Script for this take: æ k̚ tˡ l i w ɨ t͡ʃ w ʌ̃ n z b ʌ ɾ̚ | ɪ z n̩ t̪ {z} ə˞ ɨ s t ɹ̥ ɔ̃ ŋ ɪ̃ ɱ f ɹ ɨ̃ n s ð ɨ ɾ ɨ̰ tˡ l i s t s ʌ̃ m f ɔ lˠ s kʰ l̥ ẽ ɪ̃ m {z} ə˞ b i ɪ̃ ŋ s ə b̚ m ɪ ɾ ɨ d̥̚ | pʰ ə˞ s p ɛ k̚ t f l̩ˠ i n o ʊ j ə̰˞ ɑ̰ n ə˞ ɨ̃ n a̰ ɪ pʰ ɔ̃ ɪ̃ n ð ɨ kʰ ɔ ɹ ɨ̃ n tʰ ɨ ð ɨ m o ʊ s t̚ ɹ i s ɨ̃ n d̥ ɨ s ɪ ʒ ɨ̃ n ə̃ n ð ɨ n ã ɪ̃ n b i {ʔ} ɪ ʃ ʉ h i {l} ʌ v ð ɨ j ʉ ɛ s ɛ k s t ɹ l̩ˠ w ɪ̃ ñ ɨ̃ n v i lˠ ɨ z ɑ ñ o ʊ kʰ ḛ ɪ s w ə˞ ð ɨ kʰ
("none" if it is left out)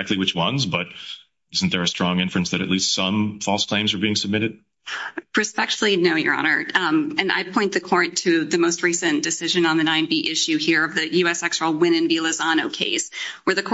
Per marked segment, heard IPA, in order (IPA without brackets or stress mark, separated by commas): ð, z, ʔ, ɹ